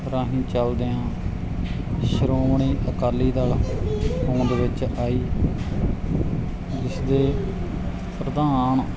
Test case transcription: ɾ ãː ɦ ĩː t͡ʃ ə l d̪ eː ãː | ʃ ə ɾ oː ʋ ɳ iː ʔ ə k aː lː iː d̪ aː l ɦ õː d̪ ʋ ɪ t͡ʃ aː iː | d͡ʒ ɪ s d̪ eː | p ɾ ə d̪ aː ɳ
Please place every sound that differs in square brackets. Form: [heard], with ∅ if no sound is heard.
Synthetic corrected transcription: ɾ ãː ɦ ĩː t͡ʃ ə l d̪ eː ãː | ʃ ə ɾ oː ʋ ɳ iː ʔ ə k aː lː iː d̪ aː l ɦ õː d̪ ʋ ɪ t͡ʃ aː iː | d͡ʒ ɪ s d̪ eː | p ɾ ə d̪ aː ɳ